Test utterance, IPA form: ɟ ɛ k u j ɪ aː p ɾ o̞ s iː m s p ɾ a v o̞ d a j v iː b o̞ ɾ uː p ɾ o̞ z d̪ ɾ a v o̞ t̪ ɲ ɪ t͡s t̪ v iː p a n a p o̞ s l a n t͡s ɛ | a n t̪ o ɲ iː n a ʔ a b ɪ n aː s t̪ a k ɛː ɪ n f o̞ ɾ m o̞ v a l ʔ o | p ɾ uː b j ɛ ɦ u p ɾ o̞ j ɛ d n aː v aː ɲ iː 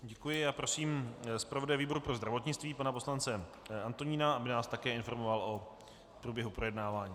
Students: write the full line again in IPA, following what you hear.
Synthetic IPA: ɟ ɛ k u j ɪ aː p ɾ o̞ s iː m s p ɾ a v o̞ d a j v iː b o̞ ɾ u p ɾ o̞ z d̪ ɾ a v o̞ t̪ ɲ ɪ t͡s t̪ v iː p a n a p o̞ s l a n t͡s ɛ | a n t̪ o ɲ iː n a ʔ a b ɪ n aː s t̪ a k ɛː ɪ n f o̞ ɾ m o̞ v a l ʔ o | p ɾ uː b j ɛ ɦ u p ɾ o̞ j ɛ d n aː v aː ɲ iː